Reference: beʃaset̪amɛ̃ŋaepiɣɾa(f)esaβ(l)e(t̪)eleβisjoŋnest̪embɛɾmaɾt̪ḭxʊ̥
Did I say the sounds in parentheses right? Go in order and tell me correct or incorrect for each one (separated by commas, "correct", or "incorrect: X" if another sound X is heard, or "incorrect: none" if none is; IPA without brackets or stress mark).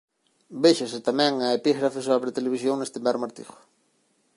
correct, incorrect: ɾ, correct